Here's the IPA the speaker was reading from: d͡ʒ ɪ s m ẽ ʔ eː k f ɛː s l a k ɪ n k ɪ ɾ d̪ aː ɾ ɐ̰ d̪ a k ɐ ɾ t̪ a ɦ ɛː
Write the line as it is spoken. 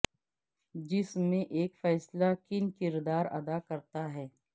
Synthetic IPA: d͡ʒ ɪ s m ẽ ʔ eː k f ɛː s l a k ɪ n k ɪ ɾ d̪ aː ɾ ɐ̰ d̪ a k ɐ ɾ t̪ a ɦ ɛː